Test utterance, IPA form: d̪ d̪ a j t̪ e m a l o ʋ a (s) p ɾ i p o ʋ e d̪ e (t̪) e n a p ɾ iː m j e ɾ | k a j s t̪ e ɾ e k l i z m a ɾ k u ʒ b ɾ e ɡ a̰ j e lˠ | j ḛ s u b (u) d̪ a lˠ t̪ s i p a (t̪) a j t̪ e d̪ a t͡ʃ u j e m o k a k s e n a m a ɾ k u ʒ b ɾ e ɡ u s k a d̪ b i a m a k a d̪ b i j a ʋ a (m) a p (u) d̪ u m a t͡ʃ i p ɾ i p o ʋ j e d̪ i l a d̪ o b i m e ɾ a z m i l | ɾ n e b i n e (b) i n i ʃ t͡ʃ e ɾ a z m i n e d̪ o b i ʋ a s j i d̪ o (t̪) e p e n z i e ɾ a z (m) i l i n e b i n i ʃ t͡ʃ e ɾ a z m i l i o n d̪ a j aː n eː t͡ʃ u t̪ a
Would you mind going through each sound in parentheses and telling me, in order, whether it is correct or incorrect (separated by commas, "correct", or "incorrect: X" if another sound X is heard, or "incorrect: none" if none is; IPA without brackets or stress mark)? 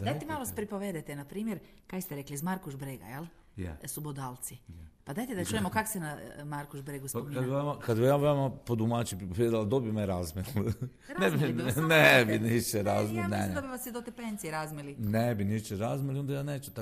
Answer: correct, correct, incorrect: o, incorrect: d̪, correct, incorrect: o, correct, correct, correct